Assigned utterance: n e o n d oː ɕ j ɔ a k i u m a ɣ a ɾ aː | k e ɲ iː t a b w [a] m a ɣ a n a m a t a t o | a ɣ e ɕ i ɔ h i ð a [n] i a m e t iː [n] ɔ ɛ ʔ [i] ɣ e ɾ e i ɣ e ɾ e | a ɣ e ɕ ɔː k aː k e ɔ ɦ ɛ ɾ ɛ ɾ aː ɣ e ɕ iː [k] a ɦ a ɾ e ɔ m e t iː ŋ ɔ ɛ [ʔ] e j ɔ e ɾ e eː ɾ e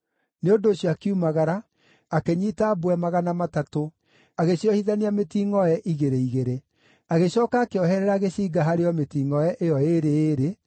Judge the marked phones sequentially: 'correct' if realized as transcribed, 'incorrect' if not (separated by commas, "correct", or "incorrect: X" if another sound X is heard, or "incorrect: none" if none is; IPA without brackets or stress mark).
incorrect: ɛ, correct, incorrect: ŋ, correct, incorrect: ɡ, correct